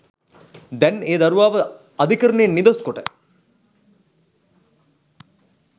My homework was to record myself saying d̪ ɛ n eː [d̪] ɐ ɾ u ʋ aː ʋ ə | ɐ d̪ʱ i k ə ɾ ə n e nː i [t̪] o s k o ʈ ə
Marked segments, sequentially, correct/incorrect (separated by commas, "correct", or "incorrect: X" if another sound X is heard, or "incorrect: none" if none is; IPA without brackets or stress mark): correct, incorrect: d̪